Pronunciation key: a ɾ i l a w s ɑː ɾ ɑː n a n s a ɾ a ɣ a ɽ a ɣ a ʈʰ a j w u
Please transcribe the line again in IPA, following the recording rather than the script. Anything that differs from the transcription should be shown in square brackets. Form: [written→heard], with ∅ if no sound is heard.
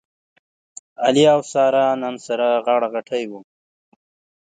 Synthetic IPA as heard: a [ɾ→l] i [l→∅] a w s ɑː ɾ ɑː n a n s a ɾ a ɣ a ɽ a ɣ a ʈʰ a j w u